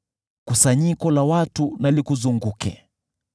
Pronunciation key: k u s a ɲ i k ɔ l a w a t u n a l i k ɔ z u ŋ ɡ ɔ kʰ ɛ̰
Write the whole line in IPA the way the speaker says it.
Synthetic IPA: k u s a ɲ i k ɔ l a w a t u n a l i k u z u ŋ ɡ u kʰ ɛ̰